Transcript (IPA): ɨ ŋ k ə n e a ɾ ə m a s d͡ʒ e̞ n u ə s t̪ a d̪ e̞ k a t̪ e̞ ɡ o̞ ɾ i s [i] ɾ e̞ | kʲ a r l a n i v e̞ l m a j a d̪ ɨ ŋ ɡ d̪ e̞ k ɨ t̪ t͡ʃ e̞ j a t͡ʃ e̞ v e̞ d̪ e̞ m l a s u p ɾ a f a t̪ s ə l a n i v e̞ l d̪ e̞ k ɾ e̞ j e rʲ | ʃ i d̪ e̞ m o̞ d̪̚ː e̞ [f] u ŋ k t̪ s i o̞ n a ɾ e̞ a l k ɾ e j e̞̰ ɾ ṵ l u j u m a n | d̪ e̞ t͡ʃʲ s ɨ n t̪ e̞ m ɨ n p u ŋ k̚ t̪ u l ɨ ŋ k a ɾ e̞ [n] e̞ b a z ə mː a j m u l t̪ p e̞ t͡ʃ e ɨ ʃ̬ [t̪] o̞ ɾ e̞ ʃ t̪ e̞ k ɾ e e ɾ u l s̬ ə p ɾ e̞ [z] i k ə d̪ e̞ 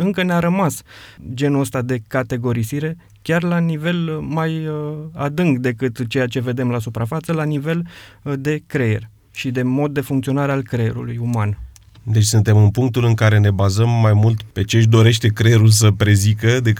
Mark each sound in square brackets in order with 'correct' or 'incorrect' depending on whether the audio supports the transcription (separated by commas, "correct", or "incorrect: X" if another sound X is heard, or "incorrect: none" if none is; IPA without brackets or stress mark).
correct, correct, correct, incorrect: d̪, correct